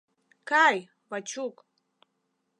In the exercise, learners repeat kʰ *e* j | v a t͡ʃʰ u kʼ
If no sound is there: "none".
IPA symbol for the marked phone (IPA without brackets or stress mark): a